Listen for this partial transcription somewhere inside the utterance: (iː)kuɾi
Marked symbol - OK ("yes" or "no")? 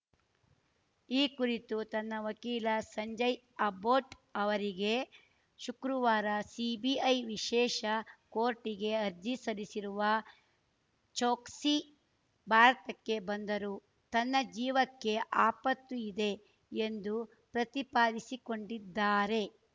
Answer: yes